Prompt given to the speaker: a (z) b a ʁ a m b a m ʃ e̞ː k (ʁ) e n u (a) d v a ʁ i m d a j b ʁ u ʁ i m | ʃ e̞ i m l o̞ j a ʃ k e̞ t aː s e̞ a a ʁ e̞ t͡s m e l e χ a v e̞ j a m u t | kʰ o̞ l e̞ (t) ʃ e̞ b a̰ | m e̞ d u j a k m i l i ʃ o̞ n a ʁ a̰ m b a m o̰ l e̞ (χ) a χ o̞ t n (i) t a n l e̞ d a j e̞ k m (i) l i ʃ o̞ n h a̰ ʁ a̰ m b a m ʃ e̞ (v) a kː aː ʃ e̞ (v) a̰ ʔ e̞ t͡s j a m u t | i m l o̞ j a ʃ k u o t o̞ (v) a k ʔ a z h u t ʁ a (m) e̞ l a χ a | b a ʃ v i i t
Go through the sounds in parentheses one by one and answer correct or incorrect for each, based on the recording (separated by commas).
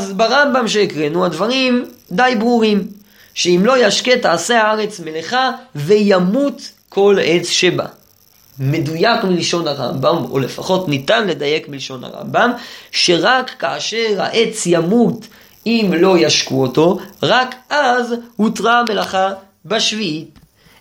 correct, correct, correct, incorrect, incorrect, correct, correct, incorrect, incorrect, incorrect, correct